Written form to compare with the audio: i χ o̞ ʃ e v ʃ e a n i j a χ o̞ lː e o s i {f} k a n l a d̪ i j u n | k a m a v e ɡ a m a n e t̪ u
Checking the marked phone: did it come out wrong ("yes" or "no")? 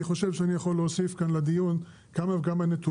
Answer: no